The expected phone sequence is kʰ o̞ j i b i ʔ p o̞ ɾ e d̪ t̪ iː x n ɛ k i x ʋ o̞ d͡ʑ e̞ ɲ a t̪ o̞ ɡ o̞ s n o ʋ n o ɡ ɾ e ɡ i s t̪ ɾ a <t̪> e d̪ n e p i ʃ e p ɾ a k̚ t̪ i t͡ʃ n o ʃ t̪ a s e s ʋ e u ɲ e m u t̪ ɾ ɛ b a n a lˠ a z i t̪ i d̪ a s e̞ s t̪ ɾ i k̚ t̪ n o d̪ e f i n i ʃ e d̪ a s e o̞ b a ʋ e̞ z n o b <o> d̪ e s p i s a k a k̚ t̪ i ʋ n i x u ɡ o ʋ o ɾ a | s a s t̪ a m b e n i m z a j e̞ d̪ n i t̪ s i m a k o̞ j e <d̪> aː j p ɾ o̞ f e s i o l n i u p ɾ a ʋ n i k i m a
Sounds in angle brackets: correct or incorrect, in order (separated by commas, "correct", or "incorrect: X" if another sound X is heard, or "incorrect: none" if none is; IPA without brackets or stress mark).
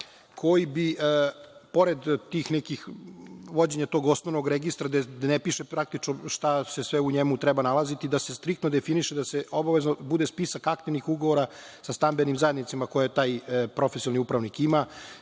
incorrect: d̪, incorrect: u, incorrect: t̪